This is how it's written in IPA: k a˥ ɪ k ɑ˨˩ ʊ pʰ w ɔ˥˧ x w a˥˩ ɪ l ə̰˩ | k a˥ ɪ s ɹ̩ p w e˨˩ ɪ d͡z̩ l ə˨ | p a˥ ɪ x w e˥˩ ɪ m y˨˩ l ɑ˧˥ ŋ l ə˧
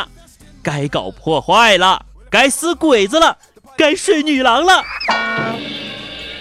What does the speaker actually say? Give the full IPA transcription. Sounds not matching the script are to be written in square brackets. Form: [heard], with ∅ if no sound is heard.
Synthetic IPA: k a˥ ɪ k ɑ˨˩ ʊ pʰ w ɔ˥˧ x w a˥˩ ɪ l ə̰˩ | k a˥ ɪ s ɹ̩ [k] w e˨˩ ɪ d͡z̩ l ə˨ | [k] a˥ ɪ [ʂ] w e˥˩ ɪ [n] y˨˩ l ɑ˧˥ ŋ l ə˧